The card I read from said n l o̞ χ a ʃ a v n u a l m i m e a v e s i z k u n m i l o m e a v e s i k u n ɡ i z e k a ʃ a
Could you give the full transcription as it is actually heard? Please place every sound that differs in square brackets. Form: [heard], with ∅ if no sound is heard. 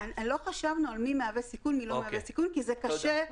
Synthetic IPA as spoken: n l o̞ χ a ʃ a v n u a l m i m e a v e s i [∅] k u n m i l o m e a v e s i k u n [k] i z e k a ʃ [e]